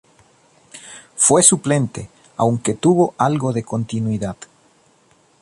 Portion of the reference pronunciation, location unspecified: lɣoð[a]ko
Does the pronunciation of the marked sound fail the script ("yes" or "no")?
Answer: yes